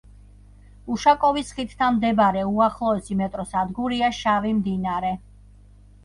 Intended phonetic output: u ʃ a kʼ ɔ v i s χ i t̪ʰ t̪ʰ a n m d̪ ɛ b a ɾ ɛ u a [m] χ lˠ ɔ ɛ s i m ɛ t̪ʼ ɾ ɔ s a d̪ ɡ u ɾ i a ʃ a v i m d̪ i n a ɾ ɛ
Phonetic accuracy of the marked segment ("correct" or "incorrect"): incorrect